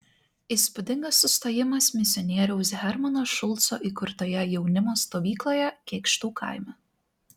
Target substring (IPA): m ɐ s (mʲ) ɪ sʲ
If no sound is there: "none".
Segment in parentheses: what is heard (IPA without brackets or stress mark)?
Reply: mʲ